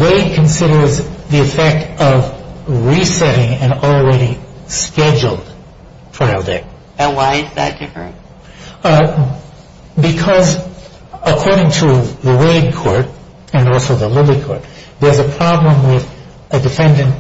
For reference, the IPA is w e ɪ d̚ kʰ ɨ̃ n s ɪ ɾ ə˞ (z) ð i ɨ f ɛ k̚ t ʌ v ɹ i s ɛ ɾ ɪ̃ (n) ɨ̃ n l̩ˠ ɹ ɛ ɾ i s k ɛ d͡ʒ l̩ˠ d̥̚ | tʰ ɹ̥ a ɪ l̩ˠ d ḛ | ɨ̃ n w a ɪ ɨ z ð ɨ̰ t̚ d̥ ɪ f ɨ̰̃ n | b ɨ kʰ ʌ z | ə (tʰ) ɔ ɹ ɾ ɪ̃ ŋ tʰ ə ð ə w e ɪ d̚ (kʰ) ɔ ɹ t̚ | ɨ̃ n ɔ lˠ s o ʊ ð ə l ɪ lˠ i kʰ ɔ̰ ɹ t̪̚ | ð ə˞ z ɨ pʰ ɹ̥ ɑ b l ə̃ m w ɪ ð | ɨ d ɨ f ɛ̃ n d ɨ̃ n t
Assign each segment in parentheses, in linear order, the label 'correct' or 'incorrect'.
correct, incorrect: ŋ, incorrect: kʰ, correct

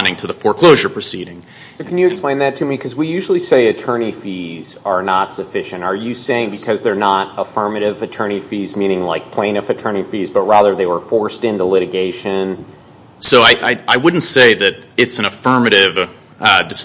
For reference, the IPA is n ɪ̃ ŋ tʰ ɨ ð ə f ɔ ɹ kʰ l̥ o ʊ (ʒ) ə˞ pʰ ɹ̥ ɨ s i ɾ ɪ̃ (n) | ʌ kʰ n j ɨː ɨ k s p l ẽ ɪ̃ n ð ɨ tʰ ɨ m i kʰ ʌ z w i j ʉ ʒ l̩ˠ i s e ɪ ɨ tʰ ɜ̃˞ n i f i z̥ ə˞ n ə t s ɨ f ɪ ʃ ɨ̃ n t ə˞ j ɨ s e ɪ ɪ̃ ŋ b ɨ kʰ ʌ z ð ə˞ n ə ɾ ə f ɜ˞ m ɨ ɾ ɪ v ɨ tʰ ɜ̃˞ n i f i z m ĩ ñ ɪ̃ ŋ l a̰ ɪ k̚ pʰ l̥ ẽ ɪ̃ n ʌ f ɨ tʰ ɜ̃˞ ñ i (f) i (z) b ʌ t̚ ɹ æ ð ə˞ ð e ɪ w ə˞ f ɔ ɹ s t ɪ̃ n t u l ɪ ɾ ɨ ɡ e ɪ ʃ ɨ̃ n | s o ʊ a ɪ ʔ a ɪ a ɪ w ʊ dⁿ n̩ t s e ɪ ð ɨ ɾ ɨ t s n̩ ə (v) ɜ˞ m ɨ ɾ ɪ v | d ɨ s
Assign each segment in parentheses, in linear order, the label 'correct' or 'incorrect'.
correct, incorrect: ŋ, correct, correct, incorrect: f

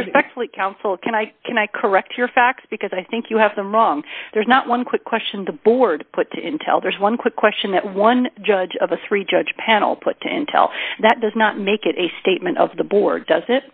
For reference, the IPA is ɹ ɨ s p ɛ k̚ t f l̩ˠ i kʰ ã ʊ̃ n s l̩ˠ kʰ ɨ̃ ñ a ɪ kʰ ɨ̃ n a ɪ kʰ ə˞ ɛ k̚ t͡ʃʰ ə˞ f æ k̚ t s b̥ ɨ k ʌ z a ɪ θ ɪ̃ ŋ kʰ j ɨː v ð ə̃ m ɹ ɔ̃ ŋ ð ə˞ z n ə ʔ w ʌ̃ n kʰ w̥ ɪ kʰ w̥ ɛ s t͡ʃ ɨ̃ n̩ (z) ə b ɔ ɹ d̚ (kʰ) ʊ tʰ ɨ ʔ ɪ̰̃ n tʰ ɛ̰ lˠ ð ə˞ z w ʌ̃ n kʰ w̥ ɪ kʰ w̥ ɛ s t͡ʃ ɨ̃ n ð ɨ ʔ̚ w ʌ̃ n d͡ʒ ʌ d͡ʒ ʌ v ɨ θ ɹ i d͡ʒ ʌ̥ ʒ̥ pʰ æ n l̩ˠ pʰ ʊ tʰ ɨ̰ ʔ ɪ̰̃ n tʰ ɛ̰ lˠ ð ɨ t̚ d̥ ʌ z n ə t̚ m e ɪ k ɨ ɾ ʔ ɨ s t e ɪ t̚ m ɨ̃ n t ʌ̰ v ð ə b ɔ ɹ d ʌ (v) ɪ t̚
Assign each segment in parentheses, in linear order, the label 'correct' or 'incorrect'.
incorrect: ð, incorrect: pʰ, incorrect: z

